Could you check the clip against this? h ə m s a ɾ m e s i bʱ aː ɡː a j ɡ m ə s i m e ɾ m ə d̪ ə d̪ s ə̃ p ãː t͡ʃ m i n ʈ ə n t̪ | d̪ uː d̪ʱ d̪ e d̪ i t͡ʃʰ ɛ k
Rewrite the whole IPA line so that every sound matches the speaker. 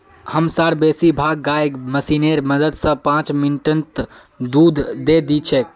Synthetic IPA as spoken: h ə m s a ɾ b e s i bʱ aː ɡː a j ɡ m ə s i n e ɾ m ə d̪ ə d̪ s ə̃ p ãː t͡ʃ m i n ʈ ə n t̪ | d̪ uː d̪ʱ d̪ e d̪ i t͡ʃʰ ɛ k